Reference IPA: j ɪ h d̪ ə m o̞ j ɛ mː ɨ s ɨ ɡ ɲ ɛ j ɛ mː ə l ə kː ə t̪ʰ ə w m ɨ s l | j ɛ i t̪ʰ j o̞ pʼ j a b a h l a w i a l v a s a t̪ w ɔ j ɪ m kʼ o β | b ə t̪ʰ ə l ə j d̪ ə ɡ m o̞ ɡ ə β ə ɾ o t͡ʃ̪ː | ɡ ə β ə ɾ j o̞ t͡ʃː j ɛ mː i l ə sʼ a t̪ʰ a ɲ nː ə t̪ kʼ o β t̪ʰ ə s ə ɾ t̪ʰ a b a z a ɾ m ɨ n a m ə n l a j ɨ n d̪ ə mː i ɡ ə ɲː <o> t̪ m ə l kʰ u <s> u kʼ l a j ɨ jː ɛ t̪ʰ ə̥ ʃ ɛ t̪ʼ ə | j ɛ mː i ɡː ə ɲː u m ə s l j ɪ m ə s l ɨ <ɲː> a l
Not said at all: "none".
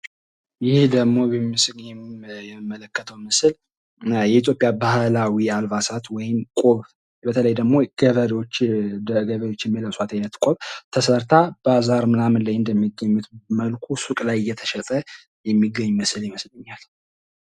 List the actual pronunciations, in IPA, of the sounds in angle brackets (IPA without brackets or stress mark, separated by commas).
u, s, ɲː